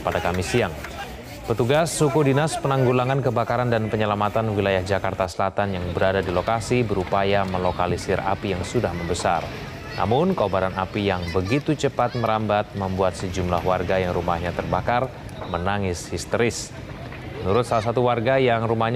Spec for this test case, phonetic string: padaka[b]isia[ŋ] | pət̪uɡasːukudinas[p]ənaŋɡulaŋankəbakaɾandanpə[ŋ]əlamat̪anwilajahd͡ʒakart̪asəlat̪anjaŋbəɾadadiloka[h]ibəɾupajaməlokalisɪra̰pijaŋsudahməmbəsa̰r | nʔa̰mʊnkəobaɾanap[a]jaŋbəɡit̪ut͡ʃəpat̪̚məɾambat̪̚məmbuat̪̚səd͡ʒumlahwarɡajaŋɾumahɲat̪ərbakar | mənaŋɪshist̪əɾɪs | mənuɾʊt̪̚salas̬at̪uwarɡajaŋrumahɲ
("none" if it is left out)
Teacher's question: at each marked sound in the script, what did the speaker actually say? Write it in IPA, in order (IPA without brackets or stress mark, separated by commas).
m, ŋ, p, ɲ, s, i